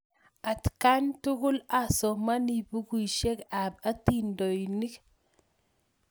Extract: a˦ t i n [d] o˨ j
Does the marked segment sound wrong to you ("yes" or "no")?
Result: no